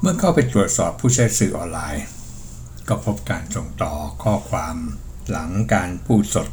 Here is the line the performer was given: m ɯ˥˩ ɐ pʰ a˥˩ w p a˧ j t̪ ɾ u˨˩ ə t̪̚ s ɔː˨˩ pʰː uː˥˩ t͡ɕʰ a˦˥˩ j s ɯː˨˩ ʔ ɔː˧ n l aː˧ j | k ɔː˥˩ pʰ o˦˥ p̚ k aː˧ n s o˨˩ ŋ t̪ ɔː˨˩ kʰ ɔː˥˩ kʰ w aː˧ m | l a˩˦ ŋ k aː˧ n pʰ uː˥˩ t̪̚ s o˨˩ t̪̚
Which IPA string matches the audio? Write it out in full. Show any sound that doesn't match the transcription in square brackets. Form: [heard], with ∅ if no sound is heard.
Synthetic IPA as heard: m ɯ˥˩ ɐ [kʰ] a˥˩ w p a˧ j t̪ ɾ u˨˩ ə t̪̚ s ɔː˨˩ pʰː uː˥˩ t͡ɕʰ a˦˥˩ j s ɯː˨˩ ʔ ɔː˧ n l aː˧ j | k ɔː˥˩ pʰ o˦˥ p̚ k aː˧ n s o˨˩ ŋ t̪ ɔː˨˩ kʰ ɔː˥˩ kʰ w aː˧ m | l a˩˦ ŋ k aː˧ n pʰ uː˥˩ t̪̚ s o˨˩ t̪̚